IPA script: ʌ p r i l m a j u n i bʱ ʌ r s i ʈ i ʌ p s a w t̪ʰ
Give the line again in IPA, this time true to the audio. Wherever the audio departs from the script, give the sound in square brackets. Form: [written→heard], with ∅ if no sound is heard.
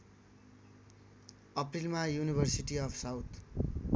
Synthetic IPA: ʌ p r i l m a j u n i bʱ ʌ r s i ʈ i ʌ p s a w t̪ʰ